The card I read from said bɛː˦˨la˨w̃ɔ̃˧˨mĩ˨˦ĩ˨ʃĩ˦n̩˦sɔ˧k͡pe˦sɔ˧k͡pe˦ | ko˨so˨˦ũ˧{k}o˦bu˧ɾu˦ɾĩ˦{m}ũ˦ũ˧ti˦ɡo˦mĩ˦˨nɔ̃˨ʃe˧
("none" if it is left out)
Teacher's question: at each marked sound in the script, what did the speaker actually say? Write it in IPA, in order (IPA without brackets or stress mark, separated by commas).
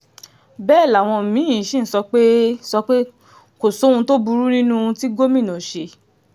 t, n